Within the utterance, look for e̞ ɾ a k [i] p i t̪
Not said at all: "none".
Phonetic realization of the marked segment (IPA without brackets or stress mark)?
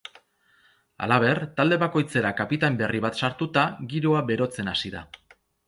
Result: a